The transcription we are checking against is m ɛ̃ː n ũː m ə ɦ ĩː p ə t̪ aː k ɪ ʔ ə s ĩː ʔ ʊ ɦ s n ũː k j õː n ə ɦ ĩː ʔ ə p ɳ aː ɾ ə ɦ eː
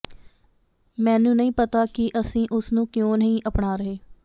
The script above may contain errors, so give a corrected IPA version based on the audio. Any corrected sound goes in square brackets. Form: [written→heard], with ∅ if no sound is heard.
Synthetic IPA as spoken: m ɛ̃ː n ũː [m→n] ə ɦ ĩː p ə t̪ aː k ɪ ʔ ə s ĩː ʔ ʊ [ɦ→∅] s n ũː k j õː n ə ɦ ĩː ʔ ə p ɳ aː ɾ ə ɦ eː

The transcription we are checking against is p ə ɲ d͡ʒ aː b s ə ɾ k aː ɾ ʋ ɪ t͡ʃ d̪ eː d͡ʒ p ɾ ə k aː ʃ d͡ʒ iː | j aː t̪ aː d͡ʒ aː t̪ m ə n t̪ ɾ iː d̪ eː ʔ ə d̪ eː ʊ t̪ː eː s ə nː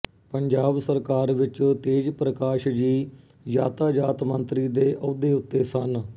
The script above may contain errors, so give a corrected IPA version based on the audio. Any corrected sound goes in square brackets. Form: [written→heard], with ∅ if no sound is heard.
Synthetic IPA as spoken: p ə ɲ d͡ʒ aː b s ə ɾ k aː ɾ ʋ ɪ t͡ʃ [d̪→t̪] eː d͡ʒ p ɾ ə k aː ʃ d͡ʒ iː | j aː t̪ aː d͡ʒ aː t̪ m ə n t̪ ɾ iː d̪ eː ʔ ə d̪ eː ʊ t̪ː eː s ə [nː→n]

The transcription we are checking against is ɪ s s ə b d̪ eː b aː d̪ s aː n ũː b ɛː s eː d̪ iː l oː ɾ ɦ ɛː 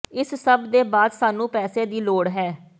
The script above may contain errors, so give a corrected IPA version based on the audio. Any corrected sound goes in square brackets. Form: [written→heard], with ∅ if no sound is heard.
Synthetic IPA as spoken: ɪ s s ə b d̪ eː b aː d̪ s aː n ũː [b→p] ɛː s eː d̪ iː l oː [ɾ→ɽ] ɦ ɛː

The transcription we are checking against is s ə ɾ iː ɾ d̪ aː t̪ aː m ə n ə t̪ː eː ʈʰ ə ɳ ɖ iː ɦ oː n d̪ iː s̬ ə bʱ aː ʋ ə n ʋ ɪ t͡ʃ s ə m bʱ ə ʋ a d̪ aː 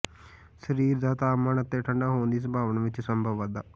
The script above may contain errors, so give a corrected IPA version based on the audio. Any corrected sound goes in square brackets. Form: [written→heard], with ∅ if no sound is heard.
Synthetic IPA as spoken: s ə ɾ iː ɾ d̪ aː t̪ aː m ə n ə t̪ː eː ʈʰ ə ɳ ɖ [iː→aː] ɦ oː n d̪ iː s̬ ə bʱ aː ʋ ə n ʋ ɪ t͡ʃ s ə m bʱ ə ʋ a d̪ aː

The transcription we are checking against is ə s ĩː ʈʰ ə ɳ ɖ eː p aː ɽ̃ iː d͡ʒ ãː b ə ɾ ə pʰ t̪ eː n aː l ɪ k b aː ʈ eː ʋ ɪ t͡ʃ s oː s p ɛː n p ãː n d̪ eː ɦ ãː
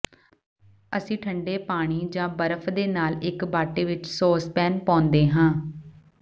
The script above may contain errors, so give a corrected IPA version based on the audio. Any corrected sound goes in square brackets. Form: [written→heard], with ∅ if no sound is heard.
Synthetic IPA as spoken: ə s ĩː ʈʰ ə ɳ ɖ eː p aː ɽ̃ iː d͡ʒ ãː b ə ɾ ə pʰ [t̪→d̪] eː n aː l ɪ k b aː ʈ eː ʋ ɪ t͡ʃ s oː s p ɛː n p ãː n d̪ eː ɦ ãː

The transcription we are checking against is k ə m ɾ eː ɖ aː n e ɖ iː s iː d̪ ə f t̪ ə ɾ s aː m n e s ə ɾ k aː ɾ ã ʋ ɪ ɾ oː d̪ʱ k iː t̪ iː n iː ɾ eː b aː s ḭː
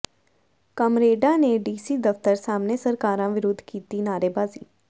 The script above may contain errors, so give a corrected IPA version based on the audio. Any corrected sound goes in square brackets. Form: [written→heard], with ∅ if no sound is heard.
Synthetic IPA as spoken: k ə m ɾ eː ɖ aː n e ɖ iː s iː d̪ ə f t̪ ə ɾ s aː m n e s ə ɾ k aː ɾ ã ʋ ɪ ɾ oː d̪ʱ k iː t̪ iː n [iː→aː] ɾ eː b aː [s→z] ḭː

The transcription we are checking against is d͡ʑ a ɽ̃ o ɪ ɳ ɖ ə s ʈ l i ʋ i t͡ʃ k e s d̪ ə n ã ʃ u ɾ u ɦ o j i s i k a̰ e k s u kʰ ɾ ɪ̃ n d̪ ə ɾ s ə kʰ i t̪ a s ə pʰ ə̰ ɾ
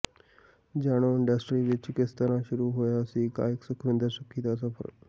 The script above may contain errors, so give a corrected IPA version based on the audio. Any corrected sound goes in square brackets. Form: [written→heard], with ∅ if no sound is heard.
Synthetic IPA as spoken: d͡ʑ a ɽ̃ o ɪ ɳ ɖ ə s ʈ [l→ɾ] i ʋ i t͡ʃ k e s [d̪→t̪] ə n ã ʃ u ɾ u ɦ o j [i→a] s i k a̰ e k s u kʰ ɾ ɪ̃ n d̪ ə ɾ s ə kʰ i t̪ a s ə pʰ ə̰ ɾ

